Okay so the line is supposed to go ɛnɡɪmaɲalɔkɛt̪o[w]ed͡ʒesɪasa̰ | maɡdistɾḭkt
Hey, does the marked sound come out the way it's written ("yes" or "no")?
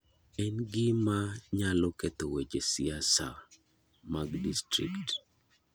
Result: yes